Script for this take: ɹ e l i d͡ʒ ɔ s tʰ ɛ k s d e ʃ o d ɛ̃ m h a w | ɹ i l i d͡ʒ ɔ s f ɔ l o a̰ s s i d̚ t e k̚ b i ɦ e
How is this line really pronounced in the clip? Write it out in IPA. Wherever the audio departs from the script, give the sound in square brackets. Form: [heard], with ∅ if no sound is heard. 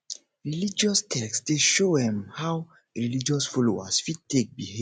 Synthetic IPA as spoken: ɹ [i] l i d͡ʒ ɔ s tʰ ɛ k s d e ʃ o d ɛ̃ m h a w | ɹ i l i d͡ʒ ɔ s f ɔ l o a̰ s [f] i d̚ t e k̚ b i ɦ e